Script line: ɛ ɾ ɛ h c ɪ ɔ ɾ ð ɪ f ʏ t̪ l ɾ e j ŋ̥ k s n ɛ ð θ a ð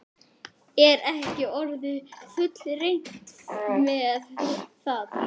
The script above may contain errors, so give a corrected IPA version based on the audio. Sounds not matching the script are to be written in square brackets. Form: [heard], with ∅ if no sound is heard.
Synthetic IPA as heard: ɛ ɾ ɛ h c ɪ ɔ ɾ ð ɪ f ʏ t̪ l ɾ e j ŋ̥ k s [m] ɛ ð θ a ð